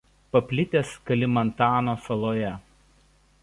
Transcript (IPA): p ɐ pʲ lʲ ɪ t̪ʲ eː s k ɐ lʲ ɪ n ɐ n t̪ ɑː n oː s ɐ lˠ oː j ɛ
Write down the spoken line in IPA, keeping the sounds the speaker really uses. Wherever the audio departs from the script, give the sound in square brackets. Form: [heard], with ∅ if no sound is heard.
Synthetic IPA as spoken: p ɐ pʲ lʲ ɪ t̪ʲ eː s k ɐ lʲ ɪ [m] ɐ n t̪ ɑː n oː s ɐ lˠ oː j ɛ